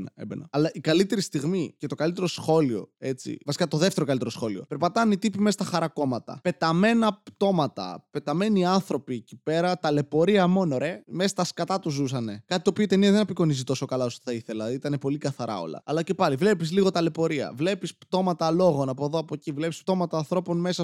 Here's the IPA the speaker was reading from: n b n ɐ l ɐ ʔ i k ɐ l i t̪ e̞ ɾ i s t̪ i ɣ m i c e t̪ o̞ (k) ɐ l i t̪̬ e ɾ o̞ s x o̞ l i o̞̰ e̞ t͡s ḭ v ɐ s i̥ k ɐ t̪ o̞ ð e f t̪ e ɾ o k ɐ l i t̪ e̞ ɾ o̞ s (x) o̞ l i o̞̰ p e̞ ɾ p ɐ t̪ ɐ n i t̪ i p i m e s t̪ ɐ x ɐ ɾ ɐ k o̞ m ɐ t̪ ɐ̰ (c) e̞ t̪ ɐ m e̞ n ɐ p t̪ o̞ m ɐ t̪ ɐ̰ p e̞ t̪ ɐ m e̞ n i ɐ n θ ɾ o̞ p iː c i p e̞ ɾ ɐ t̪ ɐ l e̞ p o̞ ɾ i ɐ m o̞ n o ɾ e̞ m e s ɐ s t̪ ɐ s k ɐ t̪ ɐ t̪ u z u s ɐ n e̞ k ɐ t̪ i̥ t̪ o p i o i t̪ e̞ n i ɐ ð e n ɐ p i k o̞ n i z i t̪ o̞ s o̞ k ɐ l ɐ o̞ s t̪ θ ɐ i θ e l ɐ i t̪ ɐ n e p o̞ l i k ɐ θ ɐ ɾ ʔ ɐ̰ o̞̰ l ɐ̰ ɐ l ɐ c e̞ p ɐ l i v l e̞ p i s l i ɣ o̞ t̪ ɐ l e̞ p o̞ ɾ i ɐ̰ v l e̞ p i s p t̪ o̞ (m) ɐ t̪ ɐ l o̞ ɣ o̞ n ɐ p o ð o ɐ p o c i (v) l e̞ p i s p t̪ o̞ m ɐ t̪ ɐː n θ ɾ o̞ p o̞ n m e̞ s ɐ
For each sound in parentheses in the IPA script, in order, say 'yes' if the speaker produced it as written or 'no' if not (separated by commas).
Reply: yes, yes, no, yes, yes